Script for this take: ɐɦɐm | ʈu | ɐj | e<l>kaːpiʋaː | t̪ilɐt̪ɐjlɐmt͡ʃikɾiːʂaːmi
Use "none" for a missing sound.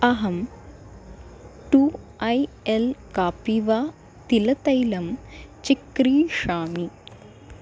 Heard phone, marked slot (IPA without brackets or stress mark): l